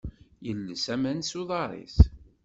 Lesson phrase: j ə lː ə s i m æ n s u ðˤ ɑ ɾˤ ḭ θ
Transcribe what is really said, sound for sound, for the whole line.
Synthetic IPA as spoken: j ə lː ə s æ m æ n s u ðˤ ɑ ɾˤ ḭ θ